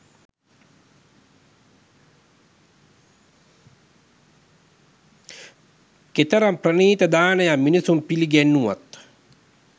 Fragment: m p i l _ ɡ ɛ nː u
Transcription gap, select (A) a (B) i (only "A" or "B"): B